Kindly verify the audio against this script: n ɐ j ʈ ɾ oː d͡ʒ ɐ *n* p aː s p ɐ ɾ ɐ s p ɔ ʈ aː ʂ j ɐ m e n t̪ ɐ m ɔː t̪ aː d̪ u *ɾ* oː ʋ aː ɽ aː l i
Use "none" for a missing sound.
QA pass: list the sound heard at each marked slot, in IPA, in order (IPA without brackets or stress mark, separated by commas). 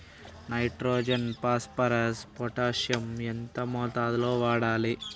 n, l